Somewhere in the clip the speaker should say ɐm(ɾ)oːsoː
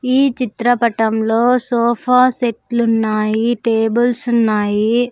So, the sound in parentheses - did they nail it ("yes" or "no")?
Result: no